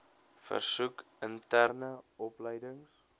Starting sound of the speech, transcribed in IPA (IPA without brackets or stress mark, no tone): f